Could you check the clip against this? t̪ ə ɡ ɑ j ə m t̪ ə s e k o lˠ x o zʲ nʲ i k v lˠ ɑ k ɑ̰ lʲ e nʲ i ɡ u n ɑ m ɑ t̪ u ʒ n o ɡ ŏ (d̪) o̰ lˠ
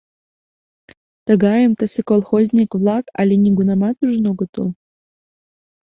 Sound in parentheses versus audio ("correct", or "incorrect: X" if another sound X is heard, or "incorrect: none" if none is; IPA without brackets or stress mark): incorrect: t̪